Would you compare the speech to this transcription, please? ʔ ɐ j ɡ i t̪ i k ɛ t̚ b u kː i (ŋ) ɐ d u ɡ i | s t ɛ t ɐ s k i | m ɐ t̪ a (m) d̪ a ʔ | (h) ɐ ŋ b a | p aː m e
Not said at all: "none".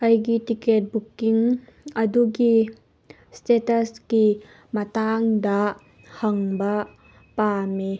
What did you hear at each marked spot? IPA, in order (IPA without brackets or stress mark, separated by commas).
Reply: ŋ, ŋ, h